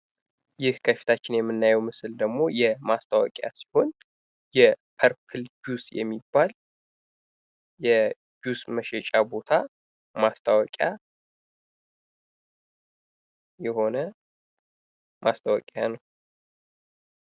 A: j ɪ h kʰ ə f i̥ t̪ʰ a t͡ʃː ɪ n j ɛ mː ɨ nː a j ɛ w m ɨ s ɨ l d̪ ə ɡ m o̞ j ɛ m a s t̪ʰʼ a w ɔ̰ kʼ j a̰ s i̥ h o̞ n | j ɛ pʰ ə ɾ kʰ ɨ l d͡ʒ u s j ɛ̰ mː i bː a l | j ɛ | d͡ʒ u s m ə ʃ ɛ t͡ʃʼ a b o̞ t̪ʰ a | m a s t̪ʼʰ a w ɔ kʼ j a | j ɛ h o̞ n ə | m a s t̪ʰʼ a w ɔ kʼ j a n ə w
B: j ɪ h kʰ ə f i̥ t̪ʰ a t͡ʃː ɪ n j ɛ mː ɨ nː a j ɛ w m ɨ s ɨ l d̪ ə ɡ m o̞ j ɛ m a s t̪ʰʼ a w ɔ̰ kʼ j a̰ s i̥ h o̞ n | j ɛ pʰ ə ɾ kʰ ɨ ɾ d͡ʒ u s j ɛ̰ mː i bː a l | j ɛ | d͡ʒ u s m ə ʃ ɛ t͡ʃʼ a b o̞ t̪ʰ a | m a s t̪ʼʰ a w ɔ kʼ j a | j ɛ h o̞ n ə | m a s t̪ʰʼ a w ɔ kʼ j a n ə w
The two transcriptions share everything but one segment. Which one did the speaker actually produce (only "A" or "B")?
A